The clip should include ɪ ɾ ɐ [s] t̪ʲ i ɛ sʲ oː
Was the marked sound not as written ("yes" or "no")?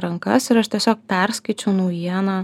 yes